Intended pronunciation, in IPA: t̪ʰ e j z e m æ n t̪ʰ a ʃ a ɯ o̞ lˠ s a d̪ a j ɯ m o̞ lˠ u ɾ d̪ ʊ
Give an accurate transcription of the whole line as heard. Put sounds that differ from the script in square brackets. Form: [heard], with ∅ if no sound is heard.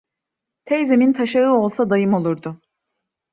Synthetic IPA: t̪ʰ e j z e m [i] n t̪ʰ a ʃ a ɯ o̞ lˠ s a d̪ a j ɯ m o̞ lˠ u ɾ d̪ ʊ